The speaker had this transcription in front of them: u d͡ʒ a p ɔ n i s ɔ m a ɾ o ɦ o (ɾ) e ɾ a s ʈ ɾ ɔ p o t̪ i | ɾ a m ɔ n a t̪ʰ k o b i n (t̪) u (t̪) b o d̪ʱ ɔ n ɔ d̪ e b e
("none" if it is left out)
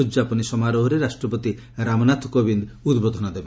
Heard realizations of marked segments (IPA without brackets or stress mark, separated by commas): ɾ, d̪, d̪